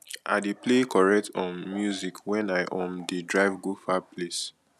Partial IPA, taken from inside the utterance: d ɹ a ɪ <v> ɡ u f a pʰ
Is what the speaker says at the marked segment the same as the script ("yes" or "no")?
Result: yes